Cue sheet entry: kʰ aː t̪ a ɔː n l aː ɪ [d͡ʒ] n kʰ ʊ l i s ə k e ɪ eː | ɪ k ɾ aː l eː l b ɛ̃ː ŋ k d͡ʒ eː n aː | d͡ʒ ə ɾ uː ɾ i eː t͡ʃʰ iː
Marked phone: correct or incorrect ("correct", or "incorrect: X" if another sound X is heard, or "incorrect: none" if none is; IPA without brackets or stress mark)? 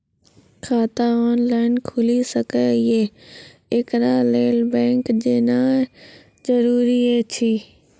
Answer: incorrect: none